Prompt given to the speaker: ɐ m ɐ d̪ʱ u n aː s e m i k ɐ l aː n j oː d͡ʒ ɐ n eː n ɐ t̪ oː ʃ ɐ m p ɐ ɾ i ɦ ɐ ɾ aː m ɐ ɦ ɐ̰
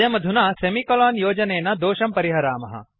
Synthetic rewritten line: ɐ m ɐ d̪ʱ u n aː s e m i k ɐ l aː n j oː d͡ʒ ɐ n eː n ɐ d̪ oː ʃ ɐ m p ɐ ɾ i ɦ ɐ ɾ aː m ɐ ɦ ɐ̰